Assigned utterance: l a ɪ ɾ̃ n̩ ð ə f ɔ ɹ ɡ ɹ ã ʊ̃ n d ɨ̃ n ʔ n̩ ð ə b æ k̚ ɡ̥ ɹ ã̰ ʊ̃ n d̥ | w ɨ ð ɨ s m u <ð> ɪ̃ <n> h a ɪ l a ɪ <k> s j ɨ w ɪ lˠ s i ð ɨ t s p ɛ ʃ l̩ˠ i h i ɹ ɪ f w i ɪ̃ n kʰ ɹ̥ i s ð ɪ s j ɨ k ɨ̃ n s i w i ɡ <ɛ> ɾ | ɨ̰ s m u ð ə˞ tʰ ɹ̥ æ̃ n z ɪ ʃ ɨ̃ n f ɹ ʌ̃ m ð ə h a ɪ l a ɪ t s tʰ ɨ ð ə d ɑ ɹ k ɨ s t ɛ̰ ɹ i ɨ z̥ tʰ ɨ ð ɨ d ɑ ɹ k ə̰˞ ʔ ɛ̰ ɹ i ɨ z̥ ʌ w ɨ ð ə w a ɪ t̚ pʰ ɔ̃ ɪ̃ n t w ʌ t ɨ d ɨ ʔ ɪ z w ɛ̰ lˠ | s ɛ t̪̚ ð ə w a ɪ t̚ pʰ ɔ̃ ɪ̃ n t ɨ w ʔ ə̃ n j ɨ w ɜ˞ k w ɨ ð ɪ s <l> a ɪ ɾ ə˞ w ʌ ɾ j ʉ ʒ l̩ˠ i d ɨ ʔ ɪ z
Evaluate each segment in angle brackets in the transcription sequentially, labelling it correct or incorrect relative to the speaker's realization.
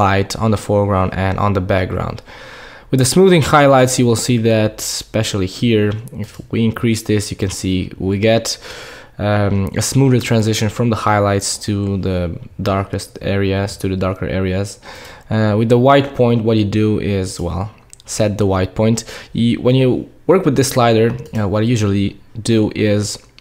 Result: correct, incorrect: ŋ, incorrect: t, correct, correct

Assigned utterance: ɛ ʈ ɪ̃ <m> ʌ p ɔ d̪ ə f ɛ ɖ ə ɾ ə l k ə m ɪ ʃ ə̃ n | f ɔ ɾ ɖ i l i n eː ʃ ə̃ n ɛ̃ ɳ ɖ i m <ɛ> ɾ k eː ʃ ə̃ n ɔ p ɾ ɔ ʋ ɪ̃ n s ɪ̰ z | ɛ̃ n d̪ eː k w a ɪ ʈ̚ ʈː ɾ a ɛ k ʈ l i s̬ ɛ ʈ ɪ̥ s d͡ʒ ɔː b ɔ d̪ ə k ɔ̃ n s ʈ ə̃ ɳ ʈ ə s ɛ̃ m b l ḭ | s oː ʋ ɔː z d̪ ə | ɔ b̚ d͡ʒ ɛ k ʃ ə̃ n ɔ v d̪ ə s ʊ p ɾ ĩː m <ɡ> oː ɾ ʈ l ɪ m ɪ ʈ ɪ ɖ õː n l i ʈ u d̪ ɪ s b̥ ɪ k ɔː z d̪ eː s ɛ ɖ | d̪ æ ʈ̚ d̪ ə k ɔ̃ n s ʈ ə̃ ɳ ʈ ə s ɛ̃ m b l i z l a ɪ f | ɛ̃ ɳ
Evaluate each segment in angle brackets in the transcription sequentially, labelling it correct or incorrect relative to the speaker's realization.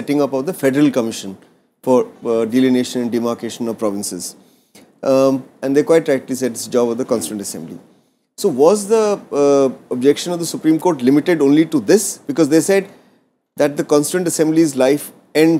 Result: incorrect: ŋ, incorrect: a, incorrect: k

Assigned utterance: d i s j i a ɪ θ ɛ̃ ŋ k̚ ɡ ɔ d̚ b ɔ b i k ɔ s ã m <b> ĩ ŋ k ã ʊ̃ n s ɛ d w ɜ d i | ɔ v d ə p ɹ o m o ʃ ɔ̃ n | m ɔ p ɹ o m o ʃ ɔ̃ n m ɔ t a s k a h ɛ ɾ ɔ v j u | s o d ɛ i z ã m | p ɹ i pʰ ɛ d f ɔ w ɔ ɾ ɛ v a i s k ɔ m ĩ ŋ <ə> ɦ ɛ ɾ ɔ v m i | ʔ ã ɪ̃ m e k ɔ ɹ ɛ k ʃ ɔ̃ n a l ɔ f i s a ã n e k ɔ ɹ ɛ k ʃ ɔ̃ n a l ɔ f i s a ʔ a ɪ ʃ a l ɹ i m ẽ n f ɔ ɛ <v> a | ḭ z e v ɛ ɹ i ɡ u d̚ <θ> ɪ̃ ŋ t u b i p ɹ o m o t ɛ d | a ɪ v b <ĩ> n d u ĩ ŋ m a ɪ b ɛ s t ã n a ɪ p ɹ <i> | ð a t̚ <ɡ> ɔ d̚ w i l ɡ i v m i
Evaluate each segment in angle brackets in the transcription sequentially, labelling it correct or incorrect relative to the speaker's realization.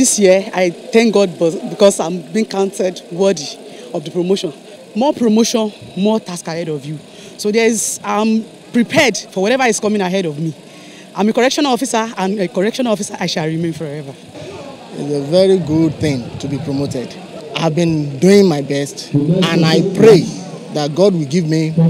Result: correct, incorrect: a, correct, correct, correct, incorrect: e, correct

